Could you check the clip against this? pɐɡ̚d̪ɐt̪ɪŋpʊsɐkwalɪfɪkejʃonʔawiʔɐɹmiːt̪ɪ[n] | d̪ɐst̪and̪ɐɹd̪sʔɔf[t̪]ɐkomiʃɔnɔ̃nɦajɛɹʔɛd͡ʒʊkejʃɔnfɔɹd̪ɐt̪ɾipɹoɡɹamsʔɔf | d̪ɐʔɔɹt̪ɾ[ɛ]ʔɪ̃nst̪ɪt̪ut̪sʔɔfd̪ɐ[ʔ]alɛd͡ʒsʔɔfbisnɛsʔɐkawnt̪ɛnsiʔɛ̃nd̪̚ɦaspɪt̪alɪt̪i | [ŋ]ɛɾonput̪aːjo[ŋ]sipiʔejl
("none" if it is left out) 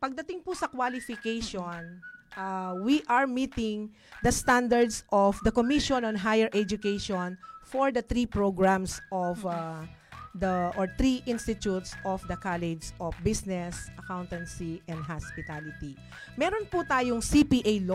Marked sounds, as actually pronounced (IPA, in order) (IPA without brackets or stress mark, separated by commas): ŋ, d̪, i, k, m, ŋ